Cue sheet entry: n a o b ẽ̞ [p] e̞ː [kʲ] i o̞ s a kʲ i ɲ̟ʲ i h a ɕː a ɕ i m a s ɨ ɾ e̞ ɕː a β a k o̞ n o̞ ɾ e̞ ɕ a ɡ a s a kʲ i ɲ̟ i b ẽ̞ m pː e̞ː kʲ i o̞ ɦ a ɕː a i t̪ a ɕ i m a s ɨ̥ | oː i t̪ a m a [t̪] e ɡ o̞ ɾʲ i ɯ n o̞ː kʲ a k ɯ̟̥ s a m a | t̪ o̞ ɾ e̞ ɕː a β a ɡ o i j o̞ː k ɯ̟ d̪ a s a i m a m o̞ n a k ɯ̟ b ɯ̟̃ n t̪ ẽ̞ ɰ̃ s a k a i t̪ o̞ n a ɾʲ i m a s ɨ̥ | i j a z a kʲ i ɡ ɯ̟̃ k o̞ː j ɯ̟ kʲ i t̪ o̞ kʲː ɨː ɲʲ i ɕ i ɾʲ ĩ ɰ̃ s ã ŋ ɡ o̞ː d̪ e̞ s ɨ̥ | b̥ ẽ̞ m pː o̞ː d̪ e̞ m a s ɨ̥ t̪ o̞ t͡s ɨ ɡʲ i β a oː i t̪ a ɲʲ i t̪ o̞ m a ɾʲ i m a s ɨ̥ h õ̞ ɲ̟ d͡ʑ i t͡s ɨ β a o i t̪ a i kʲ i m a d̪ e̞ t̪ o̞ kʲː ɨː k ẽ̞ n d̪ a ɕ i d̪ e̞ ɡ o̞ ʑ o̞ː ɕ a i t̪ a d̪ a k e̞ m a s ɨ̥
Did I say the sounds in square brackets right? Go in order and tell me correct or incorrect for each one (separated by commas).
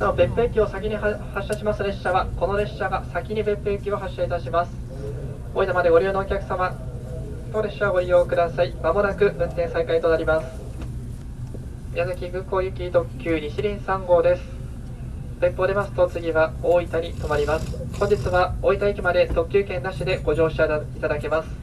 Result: correct, correct, incorrect